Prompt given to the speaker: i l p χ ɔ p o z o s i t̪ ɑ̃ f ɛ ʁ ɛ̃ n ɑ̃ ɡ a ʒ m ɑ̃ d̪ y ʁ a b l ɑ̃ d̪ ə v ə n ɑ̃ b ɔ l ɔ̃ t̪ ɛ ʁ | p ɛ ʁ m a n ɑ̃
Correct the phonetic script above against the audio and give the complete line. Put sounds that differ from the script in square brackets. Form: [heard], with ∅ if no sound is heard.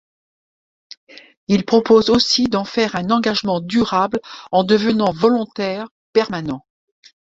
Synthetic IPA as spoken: i l p χ ɔ p o z o s i [d̪] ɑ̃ f ɛ ʁ ɛ̃ n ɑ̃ ɡ a ʒ m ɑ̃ d̪ y ʁ a b l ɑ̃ d̪ ə v ə n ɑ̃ [v] ɔ l ɔ̃ t̪ ɛ ʁ | p ɛ ʁ m a n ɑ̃